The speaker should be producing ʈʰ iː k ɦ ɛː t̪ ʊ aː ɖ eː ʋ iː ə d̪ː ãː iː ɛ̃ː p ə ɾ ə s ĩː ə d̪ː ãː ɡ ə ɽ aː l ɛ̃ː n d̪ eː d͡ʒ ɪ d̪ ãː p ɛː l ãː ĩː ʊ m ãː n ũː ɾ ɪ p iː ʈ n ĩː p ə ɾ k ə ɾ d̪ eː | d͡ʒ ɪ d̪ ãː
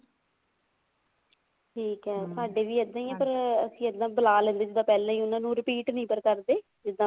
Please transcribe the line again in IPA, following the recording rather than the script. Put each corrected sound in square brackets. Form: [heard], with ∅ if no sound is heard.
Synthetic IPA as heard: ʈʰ iː k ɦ ɛː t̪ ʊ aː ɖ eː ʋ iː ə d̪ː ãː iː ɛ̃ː p ə ɾ ə s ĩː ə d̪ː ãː [b] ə [l] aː l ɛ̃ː n d̪ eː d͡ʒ ɪ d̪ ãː p ɛː l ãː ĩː ʊ [n] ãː n ũː ɾ ɪ p iː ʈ n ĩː p ə ɾ k ə ɾ d̪ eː | d͡ʒ ɪ d̪ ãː